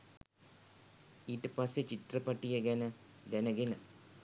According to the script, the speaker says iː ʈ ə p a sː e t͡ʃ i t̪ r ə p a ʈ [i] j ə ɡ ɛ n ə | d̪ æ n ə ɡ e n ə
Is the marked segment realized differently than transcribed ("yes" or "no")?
no